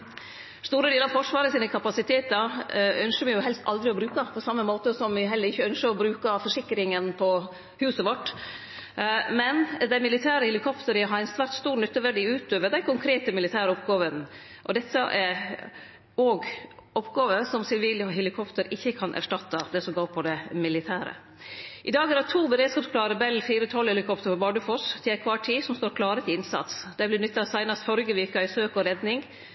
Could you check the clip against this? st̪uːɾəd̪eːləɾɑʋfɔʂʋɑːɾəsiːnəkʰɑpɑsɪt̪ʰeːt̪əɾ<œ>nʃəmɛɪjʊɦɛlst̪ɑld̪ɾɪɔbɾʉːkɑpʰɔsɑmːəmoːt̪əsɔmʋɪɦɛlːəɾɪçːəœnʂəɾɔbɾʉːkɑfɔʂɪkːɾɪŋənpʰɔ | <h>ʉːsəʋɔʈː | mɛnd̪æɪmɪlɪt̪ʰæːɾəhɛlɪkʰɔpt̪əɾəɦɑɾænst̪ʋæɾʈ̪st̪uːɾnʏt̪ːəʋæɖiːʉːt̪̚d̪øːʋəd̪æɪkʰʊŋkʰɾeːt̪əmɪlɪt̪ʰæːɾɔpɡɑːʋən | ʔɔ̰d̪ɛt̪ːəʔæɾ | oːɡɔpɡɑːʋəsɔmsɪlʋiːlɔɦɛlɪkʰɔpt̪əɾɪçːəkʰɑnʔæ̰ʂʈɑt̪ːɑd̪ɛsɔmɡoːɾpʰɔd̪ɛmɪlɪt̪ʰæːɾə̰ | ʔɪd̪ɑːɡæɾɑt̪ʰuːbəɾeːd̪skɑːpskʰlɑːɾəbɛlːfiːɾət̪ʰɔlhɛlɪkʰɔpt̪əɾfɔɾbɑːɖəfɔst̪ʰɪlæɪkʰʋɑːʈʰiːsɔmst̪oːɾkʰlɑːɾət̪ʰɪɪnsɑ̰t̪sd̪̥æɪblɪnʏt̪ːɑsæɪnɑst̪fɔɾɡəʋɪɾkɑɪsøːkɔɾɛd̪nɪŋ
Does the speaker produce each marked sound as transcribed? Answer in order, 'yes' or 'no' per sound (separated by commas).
yes, yes